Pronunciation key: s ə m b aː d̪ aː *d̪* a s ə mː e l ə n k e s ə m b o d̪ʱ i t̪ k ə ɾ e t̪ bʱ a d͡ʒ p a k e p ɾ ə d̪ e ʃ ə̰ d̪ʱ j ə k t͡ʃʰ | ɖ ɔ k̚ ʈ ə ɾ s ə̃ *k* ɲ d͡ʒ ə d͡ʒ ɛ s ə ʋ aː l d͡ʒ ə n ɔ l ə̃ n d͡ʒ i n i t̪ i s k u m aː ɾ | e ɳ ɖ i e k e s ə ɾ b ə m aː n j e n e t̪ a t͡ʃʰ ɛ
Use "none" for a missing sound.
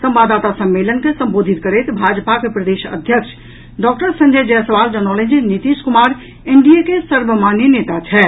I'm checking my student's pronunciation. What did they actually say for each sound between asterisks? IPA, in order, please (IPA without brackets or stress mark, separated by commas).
t̪, none